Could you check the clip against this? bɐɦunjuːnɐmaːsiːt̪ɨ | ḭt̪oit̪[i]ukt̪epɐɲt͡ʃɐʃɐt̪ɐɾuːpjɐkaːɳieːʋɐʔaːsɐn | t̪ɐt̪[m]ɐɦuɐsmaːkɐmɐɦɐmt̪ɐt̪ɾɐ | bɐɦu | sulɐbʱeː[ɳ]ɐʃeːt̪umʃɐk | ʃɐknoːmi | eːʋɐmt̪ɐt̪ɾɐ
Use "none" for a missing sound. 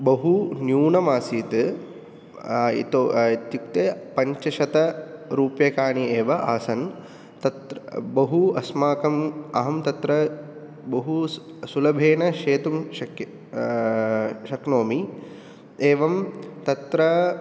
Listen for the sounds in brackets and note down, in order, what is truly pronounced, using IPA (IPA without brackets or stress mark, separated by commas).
j, b, n